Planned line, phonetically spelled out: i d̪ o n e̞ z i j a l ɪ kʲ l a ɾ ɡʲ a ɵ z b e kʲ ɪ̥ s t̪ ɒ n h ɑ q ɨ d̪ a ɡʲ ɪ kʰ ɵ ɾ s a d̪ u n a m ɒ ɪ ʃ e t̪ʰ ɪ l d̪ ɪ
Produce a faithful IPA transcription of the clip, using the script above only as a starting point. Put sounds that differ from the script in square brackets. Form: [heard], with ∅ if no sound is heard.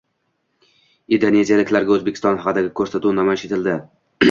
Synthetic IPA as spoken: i d̪ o n e̞ z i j a l ɪ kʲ l a ɾ ɡʲ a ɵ z b e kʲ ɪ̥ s t̪ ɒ n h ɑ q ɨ d̪ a ɡʲ ɪ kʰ ɵ ɾ s a [t̪] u n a m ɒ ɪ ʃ e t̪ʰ ɪ l d̪ ɪ